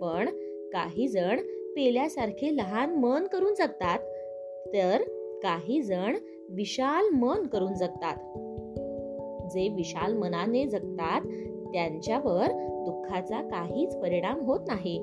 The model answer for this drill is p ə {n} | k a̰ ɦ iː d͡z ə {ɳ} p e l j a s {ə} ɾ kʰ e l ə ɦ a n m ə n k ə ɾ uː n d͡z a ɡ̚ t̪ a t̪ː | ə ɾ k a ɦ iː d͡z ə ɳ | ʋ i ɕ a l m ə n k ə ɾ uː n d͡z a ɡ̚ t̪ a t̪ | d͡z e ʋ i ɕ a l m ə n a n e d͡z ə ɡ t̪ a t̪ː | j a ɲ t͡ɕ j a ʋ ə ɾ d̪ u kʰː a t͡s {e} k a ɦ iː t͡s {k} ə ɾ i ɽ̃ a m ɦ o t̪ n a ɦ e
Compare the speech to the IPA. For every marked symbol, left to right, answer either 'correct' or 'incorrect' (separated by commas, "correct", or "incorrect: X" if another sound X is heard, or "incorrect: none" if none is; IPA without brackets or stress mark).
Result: incorrect: ɳ, correct, incorrect: a, incorrect: a, incorrect: p